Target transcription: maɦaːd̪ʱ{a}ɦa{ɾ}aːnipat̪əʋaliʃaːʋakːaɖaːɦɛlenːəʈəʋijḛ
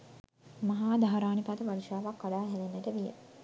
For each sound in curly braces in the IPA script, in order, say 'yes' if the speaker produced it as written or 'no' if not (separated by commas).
yes, yes